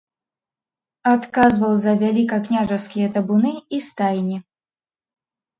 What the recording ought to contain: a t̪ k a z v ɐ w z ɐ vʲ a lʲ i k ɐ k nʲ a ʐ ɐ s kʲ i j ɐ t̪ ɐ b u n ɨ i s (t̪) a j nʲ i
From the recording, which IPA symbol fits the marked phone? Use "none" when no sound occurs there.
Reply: t̪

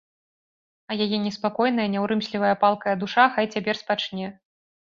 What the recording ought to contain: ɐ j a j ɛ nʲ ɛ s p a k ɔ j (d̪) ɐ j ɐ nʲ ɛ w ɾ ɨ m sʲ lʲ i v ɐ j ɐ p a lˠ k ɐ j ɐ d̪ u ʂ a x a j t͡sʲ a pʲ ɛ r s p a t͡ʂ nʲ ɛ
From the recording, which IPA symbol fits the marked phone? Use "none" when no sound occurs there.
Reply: n̪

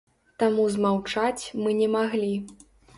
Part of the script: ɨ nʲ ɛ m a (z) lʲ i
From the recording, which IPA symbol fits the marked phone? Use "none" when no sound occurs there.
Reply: ɣ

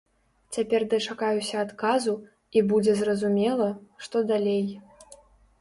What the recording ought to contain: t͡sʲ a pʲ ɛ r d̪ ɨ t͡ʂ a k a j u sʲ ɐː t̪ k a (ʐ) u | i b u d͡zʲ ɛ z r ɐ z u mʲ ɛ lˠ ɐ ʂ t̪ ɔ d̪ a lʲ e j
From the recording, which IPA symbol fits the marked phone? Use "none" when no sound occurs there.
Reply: z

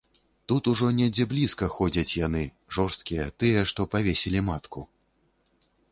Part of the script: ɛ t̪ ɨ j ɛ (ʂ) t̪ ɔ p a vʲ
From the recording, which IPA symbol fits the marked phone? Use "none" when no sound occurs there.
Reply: ʂ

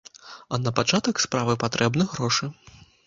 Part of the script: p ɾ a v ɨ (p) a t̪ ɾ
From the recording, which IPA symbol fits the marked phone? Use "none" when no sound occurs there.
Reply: p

